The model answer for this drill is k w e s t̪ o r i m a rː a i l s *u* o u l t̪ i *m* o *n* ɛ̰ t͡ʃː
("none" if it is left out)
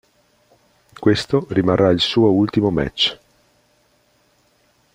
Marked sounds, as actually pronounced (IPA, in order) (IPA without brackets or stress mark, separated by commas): uː, m, m